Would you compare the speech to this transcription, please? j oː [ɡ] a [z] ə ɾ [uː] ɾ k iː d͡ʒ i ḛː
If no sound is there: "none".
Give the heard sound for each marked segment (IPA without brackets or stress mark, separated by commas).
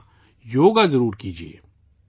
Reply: ɡ, z, uː